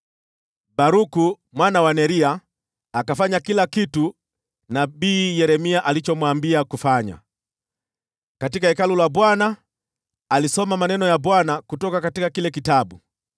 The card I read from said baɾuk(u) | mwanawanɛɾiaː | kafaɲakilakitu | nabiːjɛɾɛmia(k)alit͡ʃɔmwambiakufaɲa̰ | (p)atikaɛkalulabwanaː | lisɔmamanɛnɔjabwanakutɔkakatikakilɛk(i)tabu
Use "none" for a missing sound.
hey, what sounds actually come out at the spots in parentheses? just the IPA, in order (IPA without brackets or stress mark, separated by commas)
u, ʔ, k, i